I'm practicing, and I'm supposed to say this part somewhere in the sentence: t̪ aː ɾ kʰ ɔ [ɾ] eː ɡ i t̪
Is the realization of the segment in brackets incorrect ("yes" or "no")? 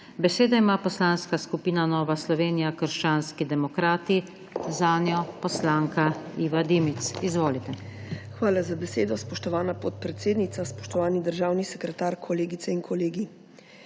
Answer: yes